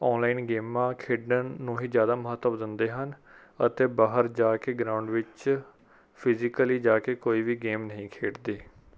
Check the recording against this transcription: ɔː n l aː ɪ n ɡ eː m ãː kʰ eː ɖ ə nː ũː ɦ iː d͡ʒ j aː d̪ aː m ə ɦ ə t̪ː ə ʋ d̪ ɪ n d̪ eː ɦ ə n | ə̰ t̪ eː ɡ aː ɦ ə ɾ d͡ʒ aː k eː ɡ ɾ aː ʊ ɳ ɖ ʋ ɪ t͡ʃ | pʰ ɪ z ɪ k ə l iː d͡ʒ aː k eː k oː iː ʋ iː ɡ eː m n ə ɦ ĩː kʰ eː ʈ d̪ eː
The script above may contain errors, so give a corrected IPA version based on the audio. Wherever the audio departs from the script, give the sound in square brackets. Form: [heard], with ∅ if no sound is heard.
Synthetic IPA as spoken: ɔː n l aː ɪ n ɡ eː m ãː kʰ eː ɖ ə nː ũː ɦ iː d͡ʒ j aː d̪ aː m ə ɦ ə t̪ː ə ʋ d̪ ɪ n d̪ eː ɦ ə n | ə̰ t̪ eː [b] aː ɦ ə ɾ d͡ʒ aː k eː ɡ ɾ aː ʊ ɳ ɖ ʋ ɪ t͡ʃ | pʰ ɪ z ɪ k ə l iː d͡ʒ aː k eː k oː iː ʋ iː ɡ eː m n ə ɦ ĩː kʰ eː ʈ d̪ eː